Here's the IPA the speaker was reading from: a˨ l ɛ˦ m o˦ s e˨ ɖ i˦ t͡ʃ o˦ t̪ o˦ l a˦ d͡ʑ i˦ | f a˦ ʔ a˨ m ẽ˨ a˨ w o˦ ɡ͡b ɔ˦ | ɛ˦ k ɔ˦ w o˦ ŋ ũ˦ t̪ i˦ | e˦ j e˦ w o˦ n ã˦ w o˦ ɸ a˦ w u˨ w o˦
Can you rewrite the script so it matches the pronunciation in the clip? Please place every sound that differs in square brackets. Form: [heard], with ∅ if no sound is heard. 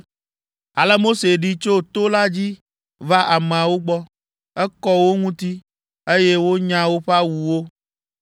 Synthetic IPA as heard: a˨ l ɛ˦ m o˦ s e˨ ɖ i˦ t͡ʃ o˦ t̪ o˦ l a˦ d͡ʑ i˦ | [v] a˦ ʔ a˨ m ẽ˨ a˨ w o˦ ɡ͡b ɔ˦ | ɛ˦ k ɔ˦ w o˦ ŋ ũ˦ t̪ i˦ | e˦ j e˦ w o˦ [ɲ] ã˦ w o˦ ɸ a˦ w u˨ w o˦

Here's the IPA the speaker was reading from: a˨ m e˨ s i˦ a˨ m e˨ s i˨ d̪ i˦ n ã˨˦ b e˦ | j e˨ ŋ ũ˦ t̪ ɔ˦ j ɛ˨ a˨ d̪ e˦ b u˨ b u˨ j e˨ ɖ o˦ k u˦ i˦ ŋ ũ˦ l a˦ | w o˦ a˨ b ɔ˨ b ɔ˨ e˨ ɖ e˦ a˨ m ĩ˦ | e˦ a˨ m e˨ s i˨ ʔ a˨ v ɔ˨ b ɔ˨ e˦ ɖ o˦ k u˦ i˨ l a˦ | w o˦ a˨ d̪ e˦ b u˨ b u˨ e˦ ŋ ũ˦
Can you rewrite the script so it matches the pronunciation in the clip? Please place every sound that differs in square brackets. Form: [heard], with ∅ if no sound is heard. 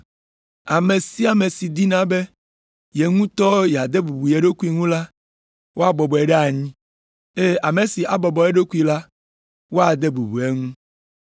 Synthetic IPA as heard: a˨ m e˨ s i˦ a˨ m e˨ s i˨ d̪ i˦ n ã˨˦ b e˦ | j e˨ ŋ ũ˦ t̪ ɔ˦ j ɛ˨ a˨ d̪ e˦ b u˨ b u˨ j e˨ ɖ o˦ k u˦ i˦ ŋ ũ˦ l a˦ | w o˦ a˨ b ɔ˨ b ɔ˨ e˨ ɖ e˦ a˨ [ɲ] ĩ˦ | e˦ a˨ m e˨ s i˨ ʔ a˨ [b] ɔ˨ b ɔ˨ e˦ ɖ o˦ k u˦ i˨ l a˦ | w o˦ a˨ d̪ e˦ b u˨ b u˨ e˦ ŋ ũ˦

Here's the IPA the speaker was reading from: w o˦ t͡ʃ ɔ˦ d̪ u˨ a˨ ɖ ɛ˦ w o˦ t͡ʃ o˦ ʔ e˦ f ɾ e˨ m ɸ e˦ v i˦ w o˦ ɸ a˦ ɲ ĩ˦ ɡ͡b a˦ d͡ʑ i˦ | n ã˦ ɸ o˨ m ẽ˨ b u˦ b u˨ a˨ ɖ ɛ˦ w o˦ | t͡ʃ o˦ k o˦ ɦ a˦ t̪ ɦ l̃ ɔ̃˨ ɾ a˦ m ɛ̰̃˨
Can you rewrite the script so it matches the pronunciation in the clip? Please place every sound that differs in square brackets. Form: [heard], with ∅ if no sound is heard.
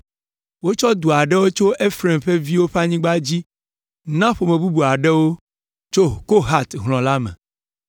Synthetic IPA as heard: w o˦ t͡ʃ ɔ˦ d̪ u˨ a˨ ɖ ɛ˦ w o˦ t͡ʃ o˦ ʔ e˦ f ɾ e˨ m ɸ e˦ v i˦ w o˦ ɸ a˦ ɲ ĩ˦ ɡ͡b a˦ d͡ʑ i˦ | n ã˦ ɸ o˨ m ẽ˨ b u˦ b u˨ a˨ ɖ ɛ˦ w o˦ | t͡ʃ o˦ k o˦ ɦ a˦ t̪ ɦ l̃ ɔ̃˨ [l] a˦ m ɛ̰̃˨

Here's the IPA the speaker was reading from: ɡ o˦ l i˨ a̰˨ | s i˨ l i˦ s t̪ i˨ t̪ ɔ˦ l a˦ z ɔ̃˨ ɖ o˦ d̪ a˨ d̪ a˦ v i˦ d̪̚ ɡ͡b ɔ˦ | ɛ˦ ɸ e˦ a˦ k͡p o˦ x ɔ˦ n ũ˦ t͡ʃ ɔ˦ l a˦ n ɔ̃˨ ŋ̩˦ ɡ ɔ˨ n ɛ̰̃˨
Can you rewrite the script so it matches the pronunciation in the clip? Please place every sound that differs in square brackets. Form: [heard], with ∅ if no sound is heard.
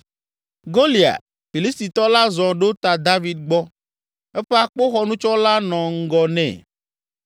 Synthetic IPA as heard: ɡ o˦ l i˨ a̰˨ | [f] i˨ l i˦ s t̪ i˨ t̪ ɔ˦ l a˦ z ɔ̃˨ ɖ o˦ [t̪] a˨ d̪ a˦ v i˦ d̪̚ ɡ͡b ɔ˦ | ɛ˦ ɸ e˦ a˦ k͡p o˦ x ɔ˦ n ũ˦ t͡ʃ ɔ˦ l a˦ n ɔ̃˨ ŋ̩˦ ɡ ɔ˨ n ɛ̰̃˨

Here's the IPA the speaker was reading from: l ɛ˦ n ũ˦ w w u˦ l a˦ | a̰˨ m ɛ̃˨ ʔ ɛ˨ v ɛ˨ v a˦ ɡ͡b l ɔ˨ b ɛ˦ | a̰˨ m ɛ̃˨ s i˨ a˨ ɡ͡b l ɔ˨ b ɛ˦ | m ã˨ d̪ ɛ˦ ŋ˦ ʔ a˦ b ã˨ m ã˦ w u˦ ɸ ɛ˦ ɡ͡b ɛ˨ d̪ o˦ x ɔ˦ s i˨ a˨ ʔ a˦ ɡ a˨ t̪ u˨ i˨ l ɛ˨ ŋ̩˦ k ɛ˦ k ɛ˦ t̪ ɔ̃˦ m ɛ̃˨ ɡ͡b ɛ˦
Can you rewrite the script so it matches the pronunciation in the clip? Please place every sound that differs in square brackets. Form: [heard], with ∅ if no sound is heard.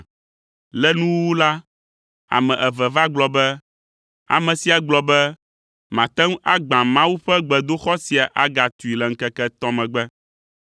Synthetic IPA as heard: l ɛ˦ n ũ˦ w w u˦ l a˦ | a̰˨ m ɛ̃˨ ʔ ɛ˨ v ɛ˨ v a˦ ɡ͡b l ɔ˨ b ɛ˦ | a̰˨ m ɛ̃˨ s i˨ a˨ ɡ͡b l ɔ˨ b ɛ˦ | m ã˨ [t̪] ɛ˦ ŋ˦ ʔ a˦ [ɡ͡b] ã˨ m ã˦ w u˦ ɸ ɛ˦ ɡ͡b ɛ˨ d̪ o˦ x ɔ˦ s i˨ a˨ ʔ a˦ ɡ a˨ t̪ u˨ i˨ l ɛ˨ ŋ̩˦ k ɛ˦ k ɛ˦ t̪ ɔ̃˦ m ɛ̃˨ ɡ͡b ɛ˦

